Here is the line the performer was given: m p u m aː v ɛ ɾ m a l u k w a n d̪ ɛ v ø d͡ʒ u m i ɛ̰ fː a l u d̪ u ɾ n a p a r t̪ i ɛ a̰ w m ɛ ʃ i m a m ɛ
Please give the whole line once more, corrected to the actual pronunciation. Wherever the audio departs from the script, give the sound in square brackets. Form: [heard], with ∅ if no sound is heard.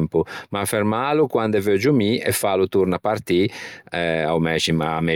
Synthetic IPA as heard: m p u m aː [f] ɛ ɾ m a l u k w a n d̪ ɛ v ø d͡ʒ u m i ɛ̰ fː a l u [t̪] u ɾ n a p a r t̪ i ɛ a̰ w m ɛ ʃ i m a m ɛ